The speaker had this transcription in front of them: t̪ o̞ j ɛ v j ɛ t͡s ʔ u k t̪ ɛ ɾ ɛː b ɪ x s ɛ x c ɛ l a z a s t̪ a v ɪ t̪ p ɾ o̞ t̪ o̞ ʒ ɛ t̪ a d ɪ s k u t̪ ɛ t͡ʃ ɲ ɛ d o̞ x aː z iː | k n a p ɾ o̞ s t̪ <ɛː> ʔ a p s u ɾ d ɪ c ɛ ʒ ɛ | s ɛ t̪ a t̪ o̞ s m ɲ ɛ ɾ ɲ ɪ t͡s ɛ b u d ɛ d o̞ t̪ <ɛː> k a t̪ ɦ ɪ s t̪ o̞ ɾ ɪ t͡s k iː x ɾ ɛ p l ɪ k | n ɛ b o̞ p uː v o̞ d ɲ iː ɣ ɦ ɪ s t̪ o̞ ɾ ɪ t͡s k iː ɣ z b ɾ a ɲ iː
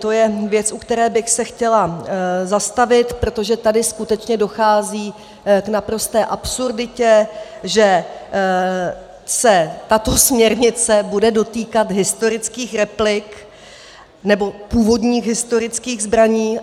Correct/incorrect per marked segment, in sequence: correct, incorrect

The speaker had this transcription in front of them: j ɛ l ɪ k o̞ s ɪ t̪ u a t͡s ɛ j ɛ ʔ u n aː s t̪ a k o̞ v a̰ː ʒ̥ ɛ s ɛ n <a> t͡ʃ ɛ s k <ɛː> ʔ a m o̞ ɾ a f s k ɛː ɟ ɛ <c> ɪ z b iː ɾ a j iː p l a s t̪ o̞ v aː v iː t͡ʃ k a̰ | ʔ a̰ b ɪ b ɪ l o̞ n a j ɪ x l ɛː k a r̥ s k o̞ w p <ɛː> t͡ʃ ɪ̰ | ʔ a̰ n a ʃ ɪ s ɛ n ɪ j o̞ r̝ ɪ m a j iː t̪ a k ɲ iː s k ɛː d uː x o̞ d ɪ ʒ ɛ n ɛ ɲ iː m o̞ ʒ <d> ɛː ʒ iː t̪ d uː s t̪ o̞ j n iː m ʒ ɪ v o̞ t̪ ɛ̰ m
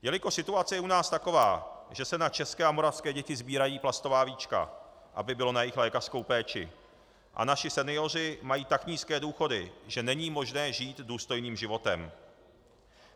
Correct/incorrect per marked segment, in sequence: correct, correct, correct, correct, incorrect

